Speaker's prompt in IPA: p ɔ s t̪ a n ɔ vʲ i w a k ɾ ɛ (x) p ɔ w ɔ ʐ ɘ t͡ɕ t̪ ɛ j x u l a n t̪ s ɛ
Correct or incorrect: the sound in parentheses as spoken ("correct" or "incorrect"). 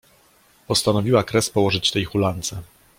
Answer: incorrect